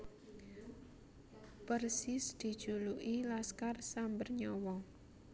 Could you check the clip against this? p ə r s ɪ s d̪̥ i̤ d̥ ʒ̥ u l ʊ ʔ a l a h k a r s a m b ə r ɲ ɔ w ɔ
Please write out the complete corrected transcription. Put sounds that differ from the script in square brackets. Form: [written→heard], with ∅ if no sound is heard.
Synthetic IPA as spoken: p ə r s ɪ s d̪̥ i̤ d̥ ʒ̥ u l [ʊ→u] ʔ [a→i] l a [h→s] k a r s a m b ə r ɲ ɔ w ɔ

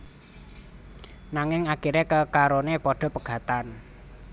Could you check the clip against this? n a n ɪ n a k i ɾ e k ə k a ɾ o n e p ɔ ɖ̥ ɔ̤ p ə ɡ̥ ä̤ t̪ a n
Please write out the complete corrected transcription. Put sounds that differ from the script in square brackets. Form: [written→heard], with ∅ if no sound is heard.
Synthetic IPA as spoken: n a [n→ŋ] ɪ [n→ŋ] a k i ɾ e k ə k a ɾ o n e p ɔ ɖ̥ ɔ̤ p ə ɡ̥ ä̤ t̪ a n

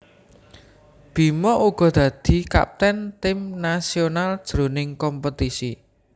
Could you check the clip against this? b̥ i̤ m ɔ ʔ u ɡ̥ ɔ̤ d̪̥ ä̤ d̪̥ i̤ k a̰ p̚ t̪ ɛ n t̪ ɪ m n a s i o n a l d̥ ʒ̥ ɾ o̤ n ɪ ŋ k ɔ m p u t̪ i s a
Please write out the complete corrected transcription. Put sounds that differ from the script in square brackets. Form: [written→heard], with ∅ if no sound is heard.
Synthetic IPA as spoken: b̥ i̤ m ɔ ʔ u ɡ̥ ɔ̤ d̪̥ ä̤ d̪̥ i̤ k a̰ p̚ t̪ ɛ n t̪ ɪ m n a s i o n a l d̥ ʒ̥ ɾ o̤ n ɪ ŋ k ɔ m p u t̪ i s [a→i]

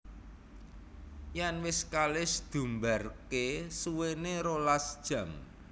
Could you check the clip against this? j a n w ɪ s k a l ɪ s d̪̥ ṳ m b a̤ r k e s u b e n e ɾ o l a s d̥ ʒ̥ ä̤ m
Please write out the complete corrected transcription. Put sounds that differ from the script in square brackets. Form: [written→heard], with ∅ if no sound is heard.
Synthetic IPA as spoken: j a n w ɪ s k a l ɪ s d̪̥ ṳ m b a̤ r k e s u [b→w] e n e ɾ o l a s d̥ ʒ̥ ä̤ m

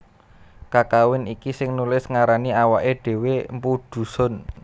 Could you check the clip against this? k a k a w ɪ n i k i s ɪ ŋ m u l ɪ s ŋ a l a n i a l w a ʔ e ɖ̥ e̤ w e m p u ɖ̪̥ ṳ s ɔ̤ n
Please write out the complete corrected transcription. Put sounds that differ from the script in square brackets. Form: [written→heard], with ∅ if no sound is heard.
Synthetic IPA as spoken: k a k a w ɪ n i k i s ɪ ŋ [m→n] u l ɪ s ŋ a [l→ɾ] a n i a [l→∅] w a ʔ e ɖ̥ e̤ w e m p u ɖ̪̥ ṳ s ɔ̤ n

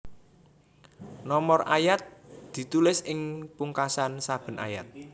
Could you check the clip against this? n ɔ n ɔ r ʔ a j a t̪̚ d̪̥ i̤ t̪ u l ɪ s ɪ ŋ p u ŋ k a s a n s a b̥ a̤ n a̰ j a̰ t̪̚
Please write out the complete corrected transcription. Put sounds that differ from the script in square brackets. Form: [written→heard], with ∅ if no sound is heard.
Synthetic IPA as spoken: n ɔ [n→m] ɔ r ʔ a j a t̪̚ d̪̥ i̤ t̪ u l ɪ s ɪ ŋ p u ŋ k a s a n s a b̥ [a̤→ə̤] n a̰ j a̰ t̪̚

